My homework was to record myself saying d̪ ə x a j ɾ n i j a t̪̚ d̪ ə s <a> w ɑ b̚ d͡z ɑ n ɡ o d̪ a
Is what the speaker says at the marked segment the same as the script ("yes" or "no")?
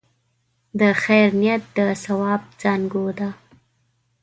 yes